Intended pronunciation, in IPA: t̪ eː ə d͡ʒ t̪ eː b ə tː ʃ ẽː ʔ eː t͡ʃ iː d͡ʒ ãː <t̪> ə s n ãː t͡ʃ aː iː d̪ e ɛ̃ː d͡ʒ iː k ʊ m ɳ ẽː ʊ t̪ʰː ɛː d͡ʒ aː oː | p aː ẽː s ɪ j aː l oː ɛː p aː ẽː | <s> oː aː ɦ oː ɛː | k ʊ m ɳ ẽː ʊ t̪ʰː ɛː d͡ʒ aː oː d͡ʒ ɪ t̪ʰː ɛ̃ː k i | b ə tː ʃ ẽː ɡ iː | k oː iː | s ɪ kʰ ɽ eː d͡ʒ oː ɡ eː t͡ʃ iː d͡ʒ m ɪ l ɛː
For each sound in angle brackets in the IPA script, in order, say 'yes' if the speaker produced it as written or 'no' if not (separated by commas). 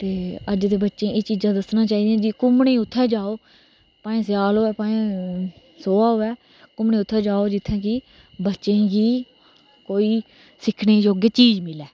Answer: no, yes